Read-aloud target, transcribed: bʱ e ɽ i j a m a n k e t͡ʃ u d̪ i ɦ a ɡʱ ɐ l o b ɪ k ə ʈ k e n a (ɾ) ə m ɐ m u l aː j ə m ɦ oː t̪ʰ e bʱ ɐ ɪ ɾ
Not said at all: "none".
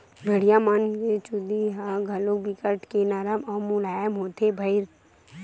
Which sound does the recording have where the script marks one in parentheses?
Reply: ɾ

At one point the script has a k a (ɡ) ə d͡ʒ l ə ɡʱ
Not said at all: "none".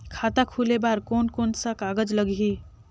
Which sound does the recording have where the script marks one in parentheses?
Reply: ɡ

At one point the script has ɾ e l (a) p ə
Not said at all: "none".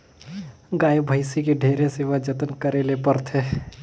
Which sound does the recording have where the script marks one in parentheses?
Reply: e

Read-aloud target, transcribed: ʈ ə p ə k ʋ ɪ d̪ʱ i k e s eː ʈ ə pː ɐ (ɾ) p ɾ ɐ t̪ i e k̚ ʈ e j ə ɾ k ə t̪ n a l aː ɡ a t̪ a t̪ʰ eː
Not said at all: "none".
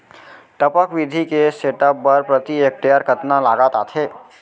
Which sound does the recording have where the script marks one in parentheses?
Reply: ɾ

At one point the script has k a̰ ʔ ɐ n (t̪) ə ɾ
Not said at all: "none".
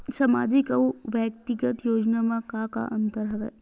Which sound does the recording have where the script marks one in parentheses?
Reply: t̪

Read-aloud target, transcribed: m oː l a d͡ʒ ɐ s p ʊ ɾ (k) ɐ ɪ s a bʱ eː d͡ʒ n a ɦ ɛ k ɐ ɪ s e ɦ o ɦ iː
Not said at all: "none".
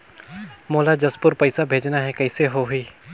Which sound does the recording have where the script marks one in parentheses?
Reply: p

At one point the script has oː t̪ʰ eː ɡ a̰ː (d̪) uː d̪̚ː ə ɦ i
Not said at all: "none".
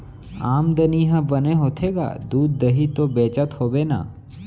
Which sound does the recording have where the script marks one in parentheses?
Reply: d̪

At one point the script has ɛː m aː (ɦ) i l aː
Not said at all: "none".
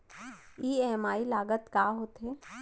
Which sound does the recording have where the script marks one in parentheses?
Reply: none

